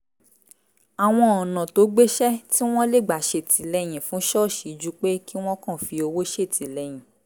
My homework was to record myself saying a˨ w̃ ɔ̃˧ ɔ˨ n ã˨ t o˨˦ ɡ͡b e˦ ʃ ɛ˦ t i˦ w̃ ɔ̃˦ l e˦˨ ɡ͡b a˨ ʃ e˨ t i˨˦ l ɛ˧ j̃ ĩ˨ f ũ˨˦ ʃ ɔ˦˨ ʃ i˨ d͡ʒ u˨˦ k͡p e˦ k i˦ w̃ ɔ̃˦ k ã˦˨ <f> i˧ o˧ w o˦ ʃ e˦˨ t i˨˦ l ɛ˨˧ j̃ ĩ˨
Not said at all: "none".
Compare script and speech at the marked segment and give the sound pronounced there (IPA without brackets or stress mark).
f